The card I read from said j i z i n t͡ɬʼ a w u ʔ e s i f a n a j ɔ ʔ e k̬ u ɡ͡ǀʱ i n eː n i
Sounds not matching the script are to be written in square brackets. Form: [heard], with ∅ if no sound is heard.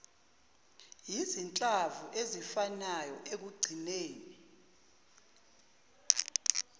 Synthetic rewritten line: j i z i n t͡ɬʼ a [v] u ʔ e [z] i f a n a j ɔ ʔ e k̬ u ɡ͡ǀʱ i n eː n i